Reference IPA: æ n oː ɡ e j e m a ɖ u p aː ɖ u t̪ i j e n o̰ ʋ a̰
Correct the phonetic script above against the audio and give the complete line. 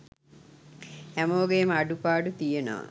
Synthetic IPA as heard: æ m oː ɡ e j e m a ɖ u p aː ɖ u t̪ i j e n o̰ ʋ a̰